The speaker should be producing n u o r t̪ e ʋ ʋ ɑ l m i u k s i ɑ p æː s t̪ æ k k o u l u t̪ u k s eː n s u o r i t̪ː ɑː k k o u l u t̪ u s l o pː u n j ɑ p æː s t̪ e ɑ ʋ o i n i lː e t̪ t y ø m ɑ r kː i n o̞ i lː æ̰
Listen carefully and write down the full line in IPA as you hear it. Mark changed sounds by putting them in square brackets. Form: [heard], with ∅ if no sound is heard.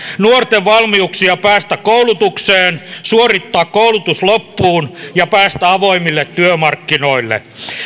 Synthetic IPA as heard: n u o r t̪ e ʋ ʋ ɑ l m i u k s i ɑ p æː s t̪ æ k k o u l u t̪ u k s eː n s u o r i t̪ː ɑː k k o u l u t̪ u s l o pː [uː] n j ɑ p æː s t̪ [æ] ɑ ʋ o i [m] i lː e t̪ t y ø m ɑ r kː i n o̞ i lː [ḛ]